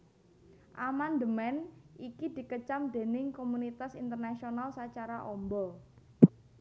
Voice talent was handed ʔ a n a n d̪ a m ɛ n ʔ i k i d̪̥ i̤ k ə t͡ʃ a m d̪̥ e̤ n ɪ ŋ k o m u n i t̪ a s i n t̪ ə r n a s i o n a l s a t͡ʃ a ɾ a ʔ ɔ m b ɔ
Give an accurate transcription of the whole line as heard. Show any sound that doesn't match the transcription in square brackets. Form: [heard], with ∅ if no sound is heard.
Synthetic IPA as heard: ʔ a [m] a n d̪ [ə] m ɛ n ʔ i k i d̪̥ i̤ k ə t͡ʃ a m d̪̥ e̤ n ɪ ŋ k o m u n i t̪ a s i n t̪ ə r n a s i o n a l s a t͡ʃ a ɾ a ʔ ɔ m b ɔ